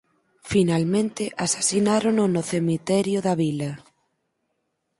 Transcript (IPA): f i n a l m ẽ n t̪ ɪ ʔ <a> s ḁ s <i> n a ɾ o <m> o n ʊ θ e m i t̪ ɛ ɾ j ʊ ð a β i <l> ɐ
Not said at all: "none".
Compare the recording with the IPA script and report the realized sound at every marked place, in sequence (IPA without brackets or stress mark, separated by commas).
a, i, n, l